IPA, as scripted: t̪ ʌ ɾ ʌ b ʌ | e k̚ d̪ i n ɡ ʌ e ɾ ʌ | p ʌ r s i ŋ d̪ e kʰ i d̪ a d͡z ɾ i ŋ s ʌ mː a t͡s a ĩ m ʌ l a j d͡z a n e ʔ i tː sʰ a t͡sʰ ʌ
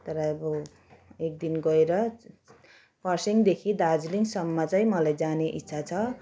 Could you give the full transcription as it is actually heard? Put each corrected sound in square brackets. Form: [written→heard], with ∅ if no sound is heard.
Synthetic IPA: t̪ ʌ ɾ ʌ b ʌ | e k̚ d̪ i n ɡ ʌ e ɾ ʌ | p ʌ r s i ŋ d̪ e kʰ i d̪ a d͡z [ɾ→l] i ŋ s ʌ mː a t͡s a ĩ m ʌ l a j d͡z a n e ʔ i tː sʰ a t͡sʰ ʌ

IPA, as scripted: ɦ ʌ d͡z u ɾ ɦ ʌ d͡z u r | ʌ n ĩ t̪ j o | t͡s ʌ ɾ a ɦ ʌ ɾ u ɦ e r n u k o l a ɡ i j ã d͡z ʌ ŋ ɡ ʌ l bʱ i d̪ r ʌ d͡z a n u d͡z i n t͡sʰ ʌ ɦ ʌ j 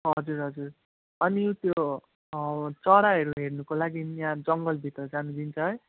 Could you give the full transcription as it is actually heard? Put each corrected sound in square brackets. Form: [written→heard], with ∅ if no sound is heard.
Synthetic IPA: ɦ ʌ d͡z u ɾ ɦ ʌ d͡z u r | ʌ n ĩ t̪ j o | t͡s ʌ ɾ a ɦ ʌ ɾ u ɦ e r n u k o l a ɡ i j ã d͡z ʌ ŋ ɡ ʌ l bʱ i [d̪→t̪] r ʌ d͡z a n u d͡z i n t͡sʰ ʌ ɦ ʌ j

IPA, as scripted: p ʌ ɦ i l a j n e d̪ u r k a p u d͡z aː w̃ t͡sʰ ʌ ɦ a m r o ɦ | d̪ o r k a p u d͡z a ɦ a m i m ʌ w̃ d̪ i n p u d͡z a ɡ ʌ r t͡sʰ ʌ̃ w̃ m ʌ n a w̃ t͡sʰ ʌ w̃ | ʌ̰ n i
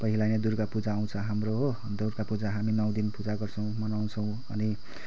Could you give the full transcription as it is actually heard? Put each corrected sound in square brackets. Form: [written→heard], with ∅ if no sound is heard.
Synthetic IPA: p ʌ ɦ i l a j n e d̪ u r k a p u d͡z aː w̃ t͡sʰ ʌ ɦ a m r o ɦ | d̪ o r k a p u d͡z a ɦ a m i [m→n] ʌ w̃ d̪ i n p u d͡z a ɡ ʌ r t͡sʰ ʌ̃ w̃ m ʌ n a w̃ t͡sʰ ʌ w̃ | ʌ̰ n i

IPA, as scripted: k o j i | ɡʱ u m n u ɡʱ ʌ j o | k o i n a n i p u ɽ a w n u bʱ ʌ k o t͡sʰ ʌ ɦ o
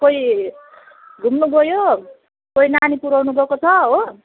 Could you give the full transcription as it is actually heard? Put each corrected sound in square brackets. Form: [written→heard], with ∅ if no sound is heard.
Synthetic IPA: k o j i | ɡʱ u m n u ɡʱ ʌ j o | k o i n a n i p u [ɽ→ɾ] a w n u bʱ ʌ k o t͡sʰ ʌ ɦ o

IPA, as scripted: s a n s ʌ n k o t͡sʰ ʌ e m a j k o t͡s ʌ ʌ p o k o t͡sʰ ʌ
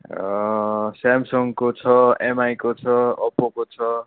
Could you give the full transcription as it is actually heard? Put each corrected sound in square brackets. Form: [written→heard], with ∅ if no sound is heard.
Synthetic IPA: s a [n→m] s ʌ [n→ŋ] k o t͡sʰ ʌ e m a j k o [t͡s→t͡sʰ] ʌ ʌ p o k o t͡sʰ ʌ

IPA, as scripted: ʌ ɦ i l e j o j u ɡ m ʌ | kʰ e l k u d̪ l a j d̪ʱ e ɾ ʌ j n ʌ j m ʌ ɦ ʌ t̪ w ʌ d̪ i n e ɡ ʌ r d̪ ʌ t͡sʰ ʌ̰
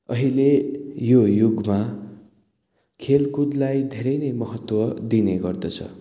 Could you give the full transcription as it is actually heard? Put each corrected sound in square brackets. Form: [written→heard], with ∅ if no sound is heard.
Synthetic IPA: ʌ ɦ i l e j o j u ɡ m [ʌ→a] | kʰ e l k u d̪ l a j d̪ʱ e ɾ ʌ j n ʌ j m ʌ ɦ ʌ t̪ w ʌ d̪ i n e ɡ ʌ r d̪ ʌ t͡sʰ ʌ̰

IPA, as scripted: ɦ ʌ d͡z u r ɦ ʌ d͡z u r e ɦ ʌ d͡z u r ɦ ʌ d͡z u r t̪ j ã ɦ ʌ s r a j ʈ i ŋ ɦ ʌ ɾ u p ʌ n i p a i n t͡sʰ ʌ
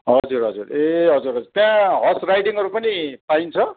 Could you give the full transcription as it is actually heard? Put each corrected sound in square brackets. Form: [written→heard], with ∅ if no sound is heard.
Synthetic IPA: ɦ ʌ d͡z u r ɦ ʌ d͡z u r e ɦ ʌ d͡z u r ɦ ʌ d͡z u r t̪ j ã ɦ ʌ s r a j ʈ i ŋ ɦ ʌ ɾ u p ʌ n i p a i n t͡sʰ ʌ

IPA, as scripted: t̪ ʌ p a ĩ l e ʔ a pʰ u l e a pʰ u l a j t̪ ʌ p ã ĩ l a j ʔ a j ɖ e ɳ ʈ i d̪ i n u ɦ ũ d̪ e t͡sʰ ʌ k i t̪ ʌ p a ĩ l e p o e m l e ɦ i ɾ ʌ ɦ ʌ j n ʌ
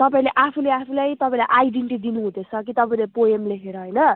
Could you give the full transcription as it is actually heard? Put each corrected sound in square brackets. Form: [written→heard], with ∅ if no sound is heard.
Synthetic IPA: t̪ ʌ p a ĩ l e ʔ a pʰ u l e a pʰ u l a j t̪ ʌ p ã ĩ l a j ʔ a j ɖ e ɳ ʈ i d̪ i n u ɦ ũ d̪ e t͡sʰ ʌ k i t̪ ʌ p a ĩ l e p o e m l e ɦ [i→e] ɾ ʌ ɦ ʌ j n ʌ

